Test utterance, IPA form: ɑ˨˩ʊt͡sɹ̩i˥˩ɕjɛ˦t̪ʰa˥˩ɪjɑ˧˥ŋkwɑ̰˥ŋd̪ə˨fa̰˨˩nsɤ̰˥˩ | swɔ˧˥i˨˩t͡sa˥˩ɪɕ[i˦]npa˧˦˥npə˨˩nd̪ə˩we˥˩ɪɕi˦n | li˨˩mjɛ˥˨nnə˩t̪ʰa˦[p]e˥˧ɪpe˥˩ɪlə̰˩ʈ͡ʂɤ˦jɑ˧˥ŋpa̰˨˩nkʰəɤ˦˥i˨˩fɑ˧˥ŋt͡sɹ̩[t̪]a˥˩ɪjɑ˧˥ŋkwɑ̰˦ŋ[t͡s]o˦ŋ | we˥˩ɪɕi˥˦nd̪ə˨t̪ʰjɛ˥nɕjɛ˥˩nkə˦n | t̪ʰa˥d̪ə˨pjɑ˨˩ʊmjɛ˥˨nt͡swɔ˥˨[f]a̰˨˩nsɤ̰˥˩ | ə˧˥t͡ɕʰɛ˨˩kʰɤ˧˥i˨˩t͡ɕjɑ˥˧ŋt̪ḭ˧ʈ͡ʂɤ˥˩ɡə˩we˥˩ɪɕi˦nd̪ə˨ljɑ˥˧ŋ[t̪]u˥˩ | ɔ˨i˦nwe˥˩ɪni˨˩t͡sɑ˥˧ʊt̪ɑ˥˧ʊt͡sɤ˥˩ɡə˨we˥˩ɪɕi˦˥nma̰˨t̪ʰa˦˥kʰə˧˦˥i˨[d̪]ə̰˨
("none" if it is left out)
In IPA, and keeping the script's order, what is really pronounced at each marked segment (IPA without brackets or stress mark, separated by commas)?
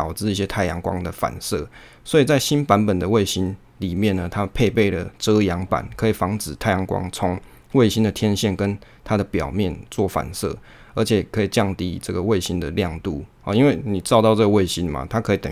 i˦, pʰ, t̪ʰ, t͡sʰ, f, t̪, t̪